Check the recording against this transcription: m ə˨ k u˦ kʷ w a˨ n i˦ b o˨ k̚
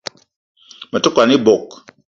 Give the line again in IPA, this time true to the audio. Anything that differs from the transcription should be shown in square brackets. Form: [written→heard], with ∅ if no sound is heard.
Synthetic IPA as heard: m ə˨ [k→t] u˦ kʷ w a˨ n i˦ b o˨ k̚